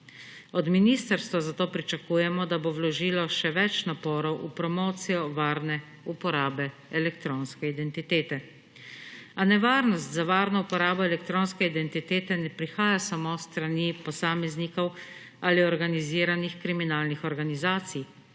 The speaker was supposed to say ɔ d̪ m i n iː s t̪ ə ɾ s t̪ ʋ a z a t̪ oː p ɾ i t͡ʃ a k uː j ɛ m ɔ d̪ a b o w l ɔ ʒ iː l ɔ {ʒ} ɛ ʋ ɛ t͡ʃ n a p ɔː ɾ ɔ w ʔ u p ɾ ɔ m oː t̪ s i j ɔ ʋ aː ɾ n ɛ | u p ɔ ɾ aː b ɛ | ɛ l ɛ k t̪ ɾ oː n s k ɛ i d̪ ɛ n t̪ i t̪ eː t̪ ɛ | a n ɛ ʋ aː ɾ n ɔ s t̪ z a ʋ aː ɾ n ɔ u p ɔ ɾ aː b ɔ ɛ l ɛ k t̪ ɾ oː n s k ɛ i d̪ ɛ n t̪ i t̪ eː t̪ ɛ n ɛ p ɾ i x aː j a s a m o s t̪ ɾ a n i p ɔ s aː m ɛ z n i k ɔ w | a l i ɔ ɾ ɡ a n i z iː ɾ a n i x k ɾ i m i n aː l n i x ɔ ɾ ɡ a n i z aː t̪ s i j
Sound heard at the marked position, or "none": ʃ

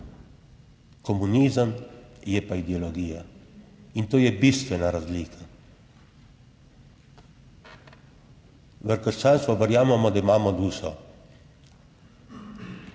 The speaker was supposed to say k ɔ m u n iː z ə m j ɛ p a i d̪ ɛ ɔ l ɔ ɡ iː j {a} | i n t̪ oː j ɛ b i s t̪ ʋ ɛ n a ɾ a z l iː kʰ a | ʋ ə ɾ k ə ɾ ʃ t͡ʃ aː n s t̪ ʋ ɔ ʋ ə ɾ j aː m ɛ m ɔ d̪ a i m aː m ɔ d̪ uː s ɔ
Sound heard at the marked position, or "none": a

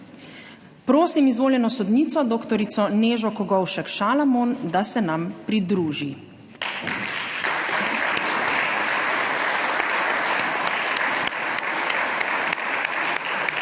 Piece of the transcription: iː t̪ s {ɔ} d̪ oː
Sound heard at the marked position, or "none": ɔ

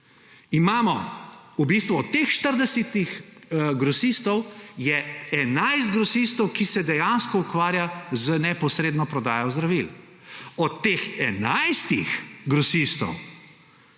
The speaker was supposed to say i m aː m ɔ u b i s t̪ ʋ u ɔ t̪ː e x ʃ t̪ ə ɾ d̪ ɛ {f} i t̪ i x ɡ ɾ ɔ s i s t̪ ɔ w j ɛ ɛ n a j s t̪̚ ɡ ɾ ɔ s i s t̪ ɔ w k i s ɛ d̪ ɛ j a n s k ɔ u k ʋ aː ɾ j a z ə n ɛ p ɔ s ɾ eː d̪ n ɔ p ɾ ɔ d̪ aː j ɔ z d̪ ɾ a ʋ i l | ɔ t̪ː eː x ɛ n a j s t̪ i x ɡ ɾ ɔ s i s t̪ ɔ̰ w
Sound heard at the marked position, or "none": s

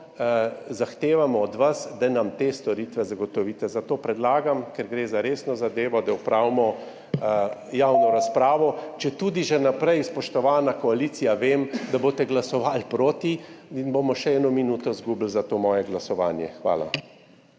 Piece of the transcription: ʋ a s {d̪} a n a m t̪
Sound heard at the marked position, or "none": d̪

